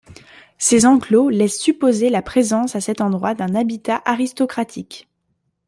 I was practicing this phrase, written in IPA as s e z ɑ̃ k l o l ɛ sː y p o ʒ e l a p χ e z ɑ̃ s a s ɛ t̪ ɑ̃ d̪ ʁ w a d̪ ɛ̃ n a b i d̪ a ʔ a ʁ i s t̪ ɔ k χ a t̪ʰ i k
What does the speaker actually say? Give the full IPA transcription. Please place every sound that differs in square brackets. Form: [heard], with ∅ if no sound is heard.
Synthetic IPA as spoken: s e z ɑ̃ k l o l ɛ sː y p o [z] e l a p χ e z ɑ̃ s a s ɛ t̪ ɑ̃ d̪ ʁ w a d̪ ɛ̃ n a b i [t̪] a ʔ a ʁ i s t̪ ɔ k χ a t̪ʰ i k